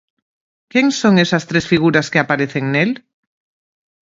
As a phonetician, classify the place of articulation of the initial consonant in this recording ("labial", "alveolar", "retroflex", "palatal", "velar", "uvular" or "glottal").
velar